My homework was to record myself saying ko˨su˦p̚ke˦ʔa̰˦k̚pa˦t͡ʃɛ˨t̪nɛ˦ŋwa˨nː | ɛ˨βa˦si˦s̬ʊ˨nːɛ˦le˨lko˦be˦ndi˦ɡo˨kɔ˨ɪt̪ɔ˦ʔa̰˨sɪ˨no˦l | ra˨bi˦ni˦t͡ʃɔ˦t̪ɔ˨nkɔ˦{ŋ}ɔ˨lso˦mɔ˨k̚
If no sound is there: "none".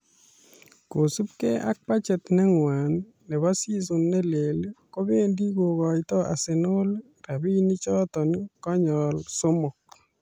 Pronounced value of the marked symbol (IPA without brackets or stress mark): ɲ